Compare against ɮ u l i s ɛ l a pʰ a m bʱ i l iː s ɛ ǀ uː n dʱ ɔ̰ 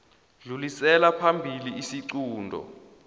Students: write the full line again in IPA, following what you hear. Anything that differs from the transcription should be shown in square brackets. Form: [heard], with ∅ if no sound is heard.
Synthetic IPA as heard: ɮ u l i s ɛ l a pʰ a m bʱ i l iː s [i] ǀ uː n dʱ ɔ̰